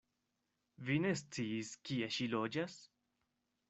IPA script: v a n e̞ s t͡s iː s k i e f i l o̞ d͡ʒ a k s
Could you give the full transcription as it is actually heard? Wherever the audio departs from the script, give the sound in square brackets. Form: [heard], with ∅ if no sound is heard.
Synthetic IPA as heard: v [i] n e̞ s t͡s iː s k i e [ʃ] i l o̞ d͡ʒ a [∅] s